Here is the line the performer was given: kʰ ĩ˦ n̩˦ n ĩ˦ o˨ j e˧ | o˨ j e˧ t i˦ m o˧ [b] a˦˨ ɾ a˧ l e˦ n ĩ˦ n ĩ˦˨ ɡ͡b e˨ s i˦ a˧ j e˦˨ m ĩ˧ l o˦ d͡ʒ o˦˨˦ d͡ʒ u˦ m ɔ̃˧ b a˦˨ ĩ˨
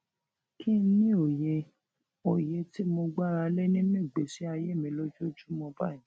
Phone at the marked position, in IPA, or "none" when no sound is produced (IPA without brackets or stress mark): ɡ͡b